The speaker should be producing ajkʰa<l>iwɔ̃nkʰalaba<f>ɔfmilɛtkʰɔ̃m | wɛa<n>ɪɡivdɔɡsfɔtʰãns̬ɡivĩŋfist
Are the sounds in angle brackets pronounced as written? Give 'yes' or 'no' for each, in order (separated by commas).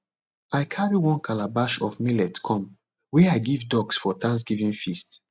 no, no, no